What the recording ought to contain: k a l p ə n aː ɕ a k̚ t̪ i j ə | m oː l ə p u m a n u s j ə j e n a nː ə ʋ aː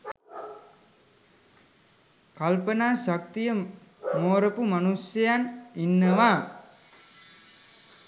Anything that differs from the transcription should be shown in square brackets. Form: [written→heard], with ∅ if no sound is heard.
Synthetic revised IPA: k a l p ə n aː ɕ a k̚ t̪ i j ə | m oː [l→ɾ] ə p u m a n u s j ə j [e→a] n [a→i] nː ə ʋ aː